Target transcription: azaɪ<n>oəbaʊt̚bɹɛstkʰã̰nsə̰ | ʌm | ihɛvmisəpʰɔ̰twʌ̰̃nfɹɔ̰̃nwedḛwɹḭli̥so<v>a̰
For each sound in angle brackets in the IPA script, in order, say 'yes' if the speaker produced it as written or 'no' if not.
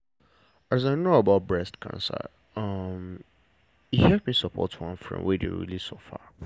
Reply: yes, no

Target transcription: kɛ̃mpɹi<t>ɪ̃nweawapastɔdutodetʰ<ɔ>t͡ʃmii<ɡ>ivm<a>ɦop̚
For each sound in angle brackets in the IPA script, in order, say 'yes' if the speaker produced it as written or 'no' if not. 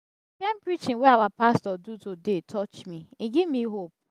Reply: no, yes, yes, no

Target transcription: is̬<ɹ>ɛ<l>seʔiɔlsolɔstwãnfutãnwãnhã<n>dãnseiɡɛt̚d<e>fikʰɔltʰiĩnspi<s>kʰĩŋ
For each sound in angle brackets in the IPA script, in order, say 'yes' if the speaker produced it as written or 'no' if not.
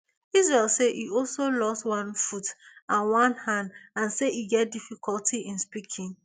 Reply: yes, yes, yes, no, no

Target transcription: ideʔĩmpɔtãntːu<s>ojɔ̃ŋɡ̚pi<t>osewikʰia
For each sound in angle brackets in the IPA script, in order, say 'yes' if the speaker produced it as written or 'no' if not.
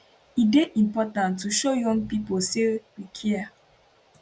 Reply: no, no

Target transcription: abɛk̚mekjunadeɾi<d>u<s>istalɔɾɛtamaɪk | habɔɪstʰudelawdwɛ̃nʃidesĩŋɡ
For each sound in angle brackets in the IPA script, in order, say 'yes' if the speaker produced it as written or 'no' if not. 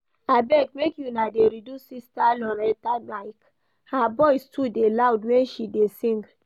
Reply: yes, yes

